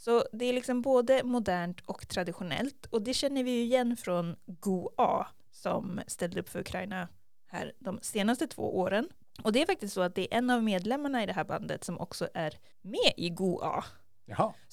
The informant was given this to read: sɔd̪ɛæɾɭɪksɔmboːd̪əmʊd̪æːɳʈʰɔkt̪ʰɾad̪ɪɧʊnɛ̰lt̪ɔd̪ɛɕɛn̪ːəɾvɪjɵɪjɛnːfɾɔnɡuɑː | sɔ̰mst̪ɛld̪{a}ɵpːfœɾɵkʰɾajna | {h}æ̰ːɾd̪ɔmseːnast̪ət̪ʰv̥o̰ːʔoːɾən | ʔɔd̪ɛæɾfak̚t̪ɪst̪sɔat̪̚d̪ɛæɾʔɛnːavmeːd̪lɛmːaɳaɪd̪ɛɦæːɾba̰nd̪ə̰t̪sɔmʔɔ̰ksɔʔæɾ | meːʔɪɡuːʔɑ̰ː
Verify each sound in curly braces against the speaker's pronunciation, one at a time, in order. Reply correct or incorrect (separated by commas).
incorrect, correct